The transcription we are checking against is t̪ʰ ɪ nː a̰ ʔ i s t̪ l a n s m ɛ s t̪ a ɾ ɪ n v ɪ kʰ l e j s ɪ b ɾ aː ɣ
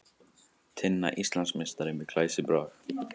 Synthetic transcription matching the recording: t̪ʰ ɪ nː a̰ ʔ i s t̪ l a n s m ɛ s t̪ a ɾ ɪ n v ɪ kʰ l a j s ɪ b ɾ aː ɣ